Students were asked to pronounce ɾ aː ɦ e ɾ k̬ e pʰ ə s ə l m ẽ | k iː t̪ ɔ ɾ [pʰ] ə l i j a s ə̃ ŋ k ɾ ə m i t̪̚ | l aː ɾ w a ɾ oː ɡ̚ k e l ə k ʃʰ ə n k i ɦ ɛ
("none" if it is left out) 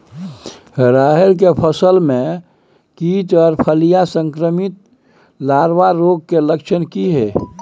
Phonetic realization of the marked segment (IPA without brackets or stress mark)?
pʰ